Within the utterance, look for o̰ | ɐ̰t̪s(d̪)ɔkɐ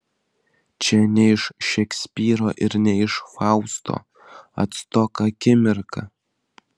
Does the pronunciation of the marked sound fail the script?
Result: yes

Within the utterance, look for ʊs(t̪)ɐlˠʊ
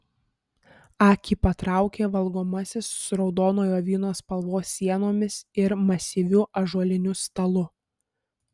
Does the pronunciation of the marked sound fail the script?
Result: no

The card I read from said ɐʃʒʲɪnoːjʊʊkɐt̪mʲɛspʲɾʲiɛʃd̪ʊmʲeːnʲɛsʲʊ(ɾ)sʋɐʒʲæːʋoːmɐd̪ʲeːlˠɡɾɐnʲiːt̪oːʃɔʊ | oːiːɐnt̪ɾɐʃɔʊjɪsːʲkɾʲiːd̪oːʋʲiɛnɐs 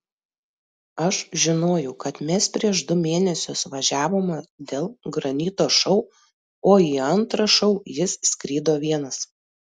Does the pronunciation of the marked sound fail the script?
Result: yes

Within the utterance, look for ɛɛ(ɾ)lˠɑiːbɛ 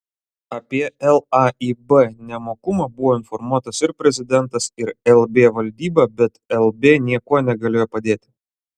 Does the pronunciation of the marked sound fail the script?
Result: yes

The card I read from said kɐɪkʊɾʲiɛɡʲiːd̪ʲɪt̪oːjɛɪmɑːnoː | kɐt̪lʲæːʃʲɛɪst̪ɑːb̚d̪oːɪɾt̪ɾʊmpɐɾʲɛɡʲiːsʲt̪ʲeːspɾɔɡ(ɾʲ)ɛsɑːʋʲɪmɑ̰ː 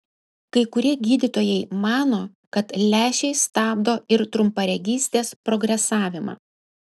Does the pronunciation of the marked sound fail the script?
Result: no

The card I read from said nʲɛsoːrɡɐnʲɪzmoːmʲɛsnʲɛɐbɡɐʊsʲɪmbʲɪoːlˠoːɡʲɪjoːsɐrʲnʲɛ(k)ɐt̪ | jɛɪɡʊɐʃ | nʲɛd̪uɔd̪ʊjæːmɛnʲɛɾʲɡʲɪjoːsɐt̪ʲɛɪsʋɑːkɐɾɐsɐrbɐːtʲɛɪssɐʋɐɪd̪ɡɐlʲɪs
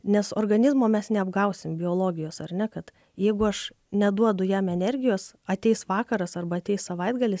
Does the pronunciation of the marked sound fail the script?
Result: no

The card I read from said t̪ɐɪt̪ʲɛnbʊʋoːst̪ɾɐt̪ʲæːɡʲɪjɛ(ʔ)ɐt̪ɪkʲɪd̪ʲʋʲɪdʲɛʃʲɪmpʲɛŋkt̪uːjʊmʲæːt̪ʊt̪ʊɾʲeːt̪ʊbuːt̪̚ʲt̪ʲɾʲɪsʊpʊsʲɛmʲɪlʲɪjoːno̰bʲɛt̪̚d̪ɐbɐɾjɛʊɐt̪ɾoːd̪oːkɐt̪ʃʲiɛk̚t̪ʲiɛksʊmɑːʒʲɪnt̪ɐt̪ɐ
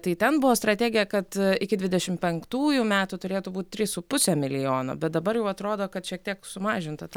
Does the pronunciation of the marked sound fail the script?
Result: yes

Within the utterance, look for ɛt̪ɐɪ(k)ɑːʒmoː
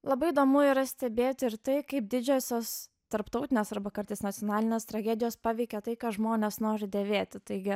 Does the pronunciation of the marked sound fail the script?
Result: no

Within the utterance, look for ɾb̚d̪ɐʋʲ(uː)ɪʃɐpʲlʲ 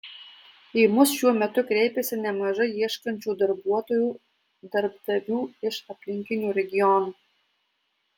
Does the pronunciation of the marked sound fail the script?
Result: no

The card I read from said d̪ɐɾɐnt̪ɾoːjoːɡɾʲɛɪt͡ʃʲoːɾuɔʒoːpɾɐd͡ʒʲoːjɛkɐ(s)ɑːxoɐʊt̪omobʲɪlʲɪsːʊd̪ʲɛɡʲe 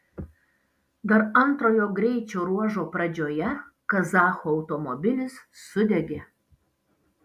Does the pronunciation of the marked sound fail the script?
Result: yes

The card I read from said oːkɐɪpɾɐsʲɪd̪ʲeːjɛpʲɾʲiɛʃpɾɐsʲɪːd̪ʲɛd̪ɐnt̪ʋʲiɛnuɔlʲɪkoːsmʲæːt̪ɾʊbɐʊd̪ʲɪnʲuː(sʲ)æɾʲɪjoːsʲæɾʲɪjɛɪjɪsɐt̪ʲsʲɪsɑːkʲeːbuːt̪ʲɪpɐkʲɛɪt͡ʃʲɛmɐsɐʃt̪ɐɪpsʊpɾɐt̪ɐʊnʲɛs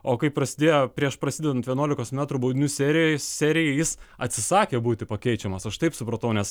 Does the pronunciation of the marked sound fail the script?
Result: no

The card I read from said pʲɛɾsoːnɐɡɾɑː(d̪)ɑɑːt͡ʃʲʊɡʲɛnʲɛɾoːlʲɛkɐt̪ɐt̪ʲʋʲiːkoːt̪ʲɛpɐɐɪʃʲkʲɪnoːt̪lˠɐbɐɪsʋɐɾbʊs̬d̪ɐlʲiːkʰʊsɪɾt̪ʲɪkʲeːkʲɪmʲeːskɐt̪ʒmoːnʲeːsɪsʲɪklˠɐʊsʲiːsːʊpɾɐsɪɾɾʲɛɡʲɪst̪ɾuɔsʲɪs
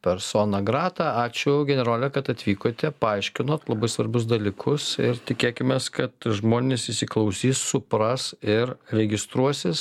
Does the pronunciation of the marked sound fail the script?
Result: yes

